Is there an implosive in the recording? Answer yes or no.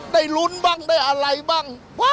yes